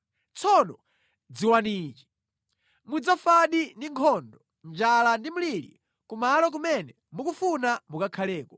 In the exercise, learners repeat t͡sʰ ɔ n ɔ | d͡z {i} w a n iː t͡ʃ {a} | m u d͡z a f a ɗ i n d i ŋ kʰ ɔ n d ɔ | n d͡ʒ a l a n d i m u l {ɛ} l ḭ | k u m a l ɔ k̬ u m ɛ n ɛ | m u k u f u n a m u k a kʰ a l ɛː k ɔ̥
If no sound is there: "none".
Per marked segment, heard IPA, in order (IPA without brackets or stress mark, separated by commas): i, i, i